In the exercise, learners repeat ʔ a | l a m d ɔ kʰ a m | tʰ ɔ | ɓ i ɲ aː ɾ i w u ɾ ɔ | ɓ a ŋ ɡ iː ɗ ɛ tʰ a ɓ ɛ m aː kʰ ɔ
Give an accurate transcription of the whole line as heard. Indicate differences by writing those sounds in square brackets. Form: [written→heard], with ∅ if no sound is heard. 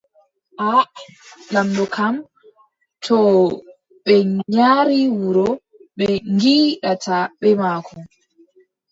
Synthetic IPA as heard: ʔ a | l a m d ɔ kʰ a m | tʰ ɔ | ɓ [i→ɛ] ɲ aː ɾ i w u ɾ ɔ | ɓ [a→ɛ] ŋ ɡ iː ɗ [ɛ→a] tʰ a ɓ ɛ m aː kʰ ɔ